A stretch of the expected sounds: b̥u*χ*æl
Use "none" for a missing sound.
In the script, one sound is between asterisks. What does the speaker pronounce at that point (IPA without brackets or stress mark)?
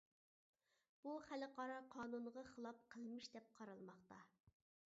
χ